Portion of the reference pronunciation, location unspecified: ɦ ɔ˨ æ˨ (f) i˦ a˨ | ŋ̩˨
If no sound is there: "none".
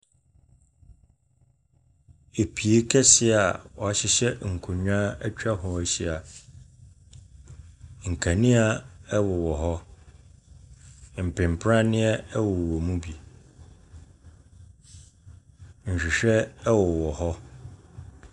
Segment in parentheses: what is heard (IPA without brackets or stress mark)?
ɕ